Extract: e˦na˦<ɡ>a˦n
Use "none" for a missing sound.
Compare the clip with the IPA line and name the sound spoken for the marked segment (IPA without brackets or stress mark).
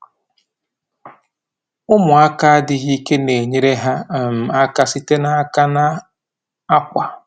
k